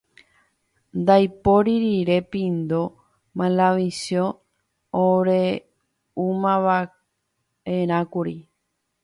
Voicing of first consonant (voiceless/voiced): voiced